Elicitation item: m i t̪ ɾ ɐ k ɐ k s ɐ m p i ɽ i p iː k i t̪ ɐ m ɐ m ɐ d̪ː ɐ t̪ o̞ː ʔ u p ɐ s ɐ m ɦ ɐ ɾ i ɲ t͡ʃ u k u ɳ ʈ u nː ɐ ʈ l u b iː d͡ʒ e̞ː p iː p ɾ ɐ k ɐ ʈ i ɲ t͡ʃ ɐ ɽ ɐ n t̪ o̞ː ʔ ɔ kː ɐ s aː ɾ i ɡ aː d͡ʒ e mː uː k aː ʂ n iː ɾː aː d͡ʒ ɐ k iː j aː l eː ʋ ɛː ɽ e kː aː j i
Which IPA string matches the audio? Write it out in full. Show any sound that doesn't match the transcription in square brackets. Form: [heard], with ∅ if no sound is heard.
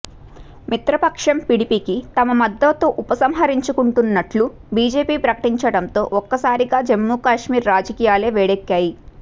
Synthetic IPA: m i t̪ ɾ ɐ [p] ɐ k [ʂ] ɐ m p i ɽ i p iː k i t̪ ɐ m ɐ m ɐ d̪ː ɐ t̪ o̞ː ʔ u p ɐ s ɐ m ɦ ɐ ɾ i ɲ t͡ʃ u k u ɳ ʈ u nː ɐ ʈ l u b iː d͡ʒ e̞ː p iː p ɾ ɐ k ɐ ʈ i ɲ t͡ʃ ɐ ɽ ɐ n t̪ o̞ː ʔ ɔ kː ɐ s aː ɾ i ɡ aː d͡ʒ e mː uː k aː ʂ [m] iː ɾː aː d͡ʒ ɐ k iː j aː l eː ʋ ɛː ɽ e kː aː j i